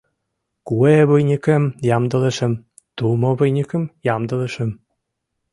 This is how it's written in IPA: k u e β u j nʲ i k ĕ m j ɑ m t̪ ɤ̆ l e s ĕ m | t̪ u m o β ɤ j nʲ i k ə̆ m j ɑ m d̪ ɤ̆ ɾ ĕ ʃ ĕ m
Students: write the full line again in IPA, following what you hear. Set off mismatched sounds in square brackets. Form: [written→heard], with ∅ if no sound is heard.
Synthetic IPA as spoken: k u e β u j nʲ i k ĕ m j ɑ m [t̪→d̪] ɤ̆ l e [s→ʃ] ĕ m | t̪ u m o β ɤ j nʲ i k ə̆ m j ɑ m d̪ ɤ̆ [ɾ→l] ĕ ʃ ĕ m